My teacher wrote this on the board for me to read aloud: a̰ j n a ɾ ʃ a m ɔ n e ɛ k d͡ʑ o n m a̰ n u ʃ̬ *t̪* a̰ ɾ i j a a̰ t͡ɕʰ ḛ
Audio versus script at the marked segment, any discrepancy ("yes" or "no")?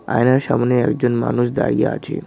yes